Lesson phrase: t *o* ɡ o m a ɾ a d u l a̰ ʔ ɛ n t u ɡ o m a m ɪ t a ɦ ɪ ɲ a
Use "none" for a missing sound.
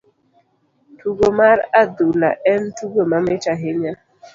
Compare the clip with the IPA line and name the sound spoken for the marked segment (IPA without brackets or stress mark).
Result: u